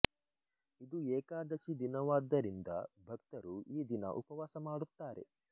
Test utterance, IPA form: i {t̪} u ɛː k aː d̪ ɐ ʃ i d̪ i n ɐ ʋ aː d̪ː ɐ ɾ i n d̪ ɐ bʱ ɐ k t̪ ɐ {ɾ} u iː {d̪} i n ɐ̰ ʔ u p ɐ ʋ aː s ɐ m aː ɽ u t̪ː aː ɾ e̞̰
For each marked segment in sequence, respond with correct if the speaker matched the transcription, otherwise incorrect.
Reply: incorrect, correct, correct

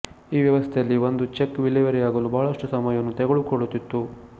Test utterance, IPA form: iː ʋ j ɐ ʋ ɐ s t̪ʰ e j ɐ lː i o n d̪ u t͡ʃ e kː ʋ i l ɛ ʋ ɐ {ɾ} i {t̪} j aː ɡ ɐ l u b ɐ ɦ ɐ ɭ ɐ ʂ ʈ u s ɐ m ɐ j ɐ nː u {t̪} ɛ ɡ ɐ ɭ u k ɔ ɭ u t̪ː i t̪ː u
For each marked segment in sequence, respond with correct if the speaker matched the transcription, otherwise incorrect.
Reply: correct, incorrect, correct

